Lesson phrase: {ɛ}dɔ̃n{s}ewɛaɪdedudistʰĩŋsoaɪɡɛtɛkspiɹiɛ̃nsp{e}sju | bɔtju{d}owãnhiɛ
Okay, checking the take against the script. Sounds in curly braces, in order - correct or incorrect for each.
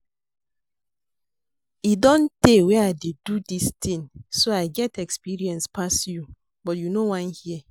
incorrect: i, incorrect: t, incorrect: a, incorrect: n

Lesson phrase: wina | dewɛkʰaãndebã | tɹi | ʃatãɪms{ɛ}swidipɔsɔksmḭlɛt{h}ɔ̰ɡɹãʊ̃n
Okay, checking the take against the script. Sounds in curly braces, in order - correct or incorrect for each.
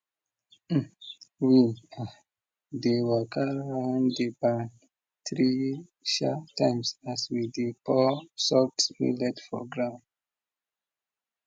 incorrect: a, incorrect: f

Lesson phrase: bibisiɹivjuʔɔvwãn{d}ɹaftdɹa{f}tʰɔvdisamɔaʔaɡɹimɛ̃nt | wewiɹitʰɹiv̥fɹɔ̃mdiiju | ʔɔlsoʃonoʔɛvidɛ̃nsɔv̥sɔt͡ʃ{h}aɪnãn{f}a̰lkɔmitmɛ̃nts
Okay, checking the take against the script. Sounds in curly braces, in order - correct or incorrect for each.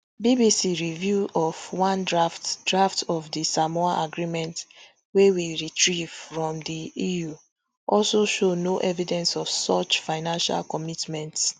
correct, correct, incorrect: f, incorrect: ʃ

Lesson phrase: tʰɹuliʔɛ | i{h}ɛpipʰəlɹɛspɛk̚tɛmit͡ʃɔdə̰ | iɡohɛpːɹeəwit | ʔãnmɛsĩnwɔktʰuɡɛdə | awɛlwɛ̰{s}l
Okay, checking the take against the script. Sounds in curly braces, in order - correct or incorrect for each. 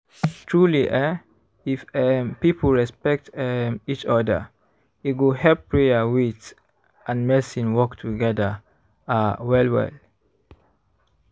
incorrect: f, incorrect: none

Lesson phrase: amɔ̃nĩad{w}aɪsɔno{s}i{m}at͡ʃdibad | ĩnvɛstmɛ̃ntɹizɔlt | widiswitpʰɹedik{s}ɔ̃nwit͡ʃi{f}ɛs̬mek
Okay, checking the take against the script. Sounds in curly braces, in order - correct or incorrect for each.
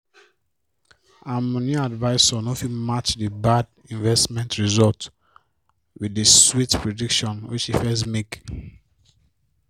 incorrect: v, incorrect: f, correct, incorrect: ʃ, correct

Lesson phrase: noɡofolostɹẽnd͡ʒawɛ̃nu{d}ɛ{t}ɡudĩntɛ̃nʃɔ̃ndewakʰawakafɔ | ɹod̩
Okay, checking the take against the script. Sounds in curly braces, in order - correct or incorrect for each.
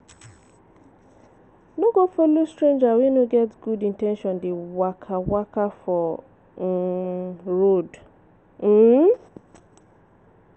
incorrect: ɡ, correct

